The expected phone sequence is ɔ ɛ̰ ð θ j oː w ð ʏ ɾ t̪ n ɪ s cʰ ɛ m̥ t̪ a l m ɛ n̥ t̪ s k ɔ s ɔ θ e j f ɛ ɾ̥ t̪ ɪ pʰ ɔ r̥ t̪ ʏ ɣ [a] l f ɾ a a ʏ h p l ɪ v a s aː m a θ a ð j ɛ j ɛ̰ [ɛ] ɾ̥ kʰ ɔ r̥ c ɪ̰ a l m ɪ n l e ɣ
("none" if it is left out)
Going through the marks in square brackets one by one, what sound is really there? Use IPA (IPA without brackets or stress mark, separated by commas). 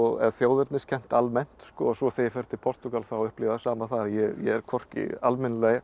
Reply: a, ɛ